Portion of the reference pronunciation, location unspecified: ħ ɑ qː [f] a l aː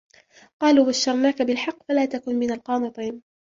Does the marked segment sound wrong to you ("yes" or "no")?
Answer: no